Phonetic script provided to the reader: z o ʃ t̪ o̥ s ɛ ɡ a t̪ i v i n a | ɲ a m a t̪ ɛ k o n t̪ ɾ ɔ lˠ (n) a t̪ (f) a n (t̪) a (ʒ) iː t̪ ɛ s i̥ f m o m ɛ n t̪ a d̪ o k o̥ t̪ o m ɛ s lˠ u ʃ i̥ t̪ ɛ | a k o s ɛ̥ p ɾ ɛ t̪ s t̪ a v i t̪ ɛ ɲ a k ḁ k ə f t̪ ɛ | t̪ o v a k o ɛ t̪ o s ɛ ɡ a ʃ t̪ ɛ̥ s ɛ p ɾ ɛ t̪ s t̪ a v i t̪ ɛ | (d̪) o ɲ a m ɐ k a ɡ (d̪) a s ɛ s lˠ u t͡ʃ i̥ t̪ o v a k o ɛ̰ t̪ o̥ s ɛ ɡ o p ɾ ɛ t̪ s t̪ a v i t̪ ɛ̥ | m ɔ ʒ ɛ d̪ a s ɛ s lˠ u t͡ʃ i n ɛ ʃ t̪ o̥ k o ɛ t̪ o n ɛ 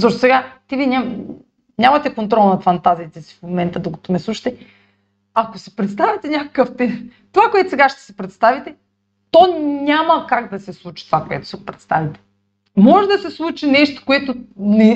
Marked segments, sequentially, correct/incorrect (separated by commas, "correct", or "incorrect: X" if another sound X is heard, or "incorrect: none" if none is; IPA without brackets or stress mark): correct, correct, correct, incorrect: z, incorrect: t̪, correct